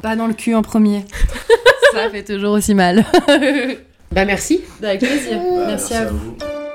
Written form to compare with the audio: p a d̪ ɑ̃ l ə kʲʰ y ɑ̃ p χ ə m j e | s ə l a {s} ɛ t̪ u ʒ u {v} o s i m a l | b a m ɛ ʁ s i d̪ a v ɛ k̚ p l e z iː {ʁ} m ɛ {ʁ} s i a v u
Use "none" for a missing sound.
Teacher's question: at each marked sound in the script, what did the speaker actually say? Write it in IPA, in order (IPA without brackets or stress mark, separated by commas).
f, ʁ, ʁ, ʁ